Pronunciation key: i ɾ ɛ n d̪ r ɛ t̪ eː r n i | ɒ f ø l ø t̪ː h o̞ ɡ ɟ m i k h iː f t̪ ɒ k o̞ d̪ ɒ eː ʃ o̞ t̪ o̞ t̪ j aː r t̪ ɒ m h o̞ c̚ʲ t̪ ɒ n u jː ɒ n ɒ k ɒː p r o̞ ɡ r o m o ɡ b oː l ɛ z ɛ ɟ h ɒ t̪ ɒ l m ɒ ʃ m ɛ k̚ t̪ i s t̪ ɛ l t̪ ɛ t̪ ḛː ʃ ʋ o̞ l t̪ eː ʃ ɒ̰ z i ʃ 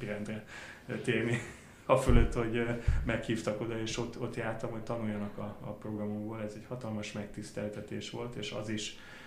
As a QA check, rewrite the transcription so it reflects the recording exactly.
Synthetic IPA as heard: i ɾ ɛ n d̪ r ɛ t̪ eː r n i | ɒ f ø l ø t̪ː h o̞ ɟ m ɛ k h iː f t̪ ɒ k o̞ d̪ ɒ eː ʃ o̞ t̪ o̞ t̪ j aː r t̪ ɒ m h o̞ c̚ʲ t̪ ɒ n u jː ɒ n ɒ k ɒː p r o̞ ɡ r ɒ m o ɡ b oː l ɛ z ɛ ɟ h ɒ t̪ ɒ l m ɒ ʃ m ɛ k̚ t̪ i s t̪ ɛ l t̪ ɛ t̪ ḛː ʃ ʋ o̞ l t̪ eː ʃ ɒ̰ z i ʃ